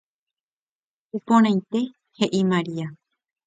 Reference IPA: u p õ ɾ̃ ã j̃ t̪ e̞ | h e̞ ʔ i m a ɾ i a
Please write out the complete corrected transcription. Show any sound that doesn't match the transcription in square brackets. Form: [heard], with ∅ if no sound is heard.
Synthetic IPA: u p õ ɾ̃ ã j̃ t̪ e̞ | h e̞ ʔ i m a ɾ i a

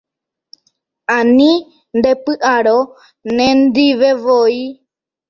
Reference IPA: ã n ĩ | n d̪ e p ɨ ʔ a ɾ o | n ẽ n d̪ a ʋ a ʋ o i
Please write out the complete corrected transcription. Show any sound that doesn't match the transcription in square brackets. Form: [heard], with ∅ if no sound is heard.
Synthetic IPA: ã n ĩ | n d̪ e p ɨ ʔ a ɾ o | n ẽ n d̪ [i] ʋ [e] ʋ o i

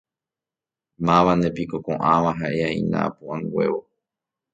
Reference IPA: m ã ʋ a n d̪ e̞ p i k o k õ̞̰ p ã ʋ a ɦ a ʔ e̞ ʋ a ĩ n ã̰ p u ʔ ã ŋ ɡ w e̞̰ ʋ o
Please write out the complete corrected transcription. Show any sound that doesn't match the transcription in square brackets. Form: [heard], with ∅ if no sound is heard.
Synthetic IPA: m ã ʋ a n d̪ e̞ p i k o k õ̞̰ [ʔ] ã ʋ a ɦ a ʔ e̞ [∅] a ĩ n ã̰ p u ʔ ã ŋ ɡ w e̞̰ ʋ o

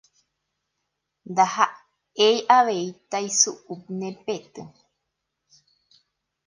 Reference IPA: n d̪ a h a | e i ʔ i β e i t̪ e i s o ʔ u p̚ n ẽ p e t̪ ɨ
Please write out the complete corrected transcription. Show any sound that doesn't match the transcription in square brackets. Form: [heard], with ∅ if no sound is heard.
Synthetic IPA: n d̪ a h a | e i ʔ [a] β e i t̪ [a] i s [u] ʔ u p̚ n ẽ p e t̪ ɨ

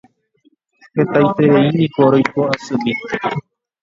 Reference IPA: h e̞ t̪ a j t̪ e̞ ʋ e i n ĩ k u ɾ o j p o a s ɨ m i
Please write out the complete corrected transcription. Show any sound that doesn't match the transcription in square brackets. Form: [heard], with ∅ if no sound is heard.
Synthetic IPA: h e̞ t̪ a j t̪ e̞ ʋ e i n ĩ k [o] ɾ o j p o a s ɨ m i

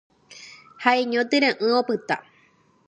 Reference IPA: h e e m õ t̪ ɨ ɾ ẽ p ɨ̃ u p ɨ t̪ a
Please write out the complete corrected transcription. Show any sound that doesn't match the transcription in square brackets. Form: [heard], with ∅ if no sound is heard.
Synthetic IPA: h [a] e [ɲ] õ t̪ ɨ ɾ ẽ [ʔ] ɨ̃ [o] p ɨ t̪ a

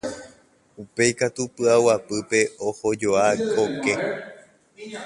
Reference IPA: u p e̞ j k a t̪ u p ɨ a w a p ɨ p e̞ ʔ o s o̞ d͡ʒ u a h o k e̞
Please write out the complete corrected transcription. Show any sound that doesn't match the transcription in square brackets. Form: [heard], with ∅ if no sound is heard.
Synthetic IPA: u p e̞ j k a t̪ u p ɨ a w a p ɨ p e̞ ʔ o [h] o̞ d͡ʒ [o] a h o k e̞

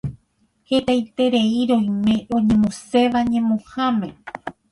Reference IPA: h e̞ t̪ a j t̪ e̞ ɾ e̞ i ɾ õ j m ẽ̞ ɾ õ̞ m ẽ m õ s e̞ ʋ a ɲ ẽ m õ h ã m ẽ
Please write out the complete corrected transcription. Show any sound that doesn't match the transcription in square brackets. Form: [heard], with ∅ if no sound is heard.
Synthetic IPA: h e̞ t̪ a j t̪ e̞ ɾ e̞ i ɾ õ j m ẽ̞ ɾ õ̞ [ɲ] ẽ m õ s e̞ ʋ a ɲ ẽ m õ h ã m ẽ

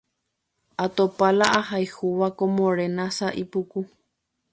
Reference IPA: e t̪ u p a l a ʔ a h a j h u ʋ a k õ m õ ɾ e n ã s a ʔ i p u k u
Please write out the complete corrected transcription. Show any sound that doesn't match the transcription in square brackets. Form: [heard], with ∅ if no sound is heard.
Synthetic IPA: [a] t̪ [o] p a l a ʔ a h a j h u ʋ a k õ m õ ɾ e n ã s a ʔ i p u k u

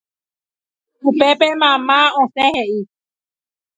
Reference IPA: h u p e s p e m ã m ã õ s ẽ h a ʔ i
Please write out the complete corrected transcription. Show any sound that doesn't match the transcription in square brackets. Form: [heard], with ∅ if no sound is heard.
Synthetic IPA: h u p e [∅] p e m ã m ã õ s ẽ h [e] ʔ i

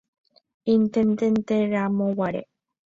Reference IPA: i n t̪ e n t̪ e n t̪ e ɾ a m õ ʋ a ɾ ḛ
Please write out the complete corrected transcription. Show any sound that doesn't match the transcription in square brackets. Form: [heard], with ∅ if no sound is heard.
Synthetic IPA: i n t̪ e n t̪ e n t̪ e ɾ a m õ [w] a ɾ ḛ

